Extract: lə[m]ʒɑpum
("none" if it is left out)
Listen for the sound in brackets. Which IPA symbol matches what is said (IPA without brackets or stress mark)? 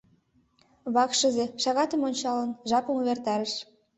n